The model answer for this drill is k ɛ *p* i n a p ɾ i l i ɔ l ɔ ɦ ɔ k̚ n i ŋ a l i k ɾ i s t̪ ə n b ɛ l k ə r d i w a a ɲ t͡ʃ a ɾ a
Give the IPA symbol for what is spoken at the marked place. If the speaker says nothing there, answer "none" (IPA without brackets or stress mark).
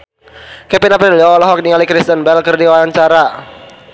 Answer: p